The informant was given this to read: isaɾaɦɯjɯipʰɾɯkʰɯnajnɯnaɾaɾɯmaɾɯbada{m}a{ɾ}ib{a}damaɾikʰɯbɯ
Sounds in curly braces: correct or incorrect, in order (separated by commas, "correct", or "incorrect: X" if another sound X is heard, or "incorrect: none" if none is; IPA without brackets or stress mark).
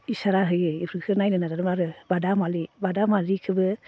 correct, incorrect: l, correct